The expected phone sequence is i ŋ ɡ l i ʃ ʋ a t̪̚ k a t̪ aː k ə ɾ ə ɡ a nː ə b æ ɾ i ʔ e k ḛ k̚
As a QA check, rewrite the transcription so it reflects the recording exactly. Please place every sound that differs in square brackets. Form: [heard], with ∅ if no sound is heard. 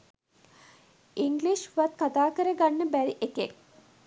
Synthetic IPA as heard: i ŋ ɡ l i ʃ ʋ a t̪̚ k a t̪ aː k ə ɾ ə ɡ a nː ə b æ ɾ i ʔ e k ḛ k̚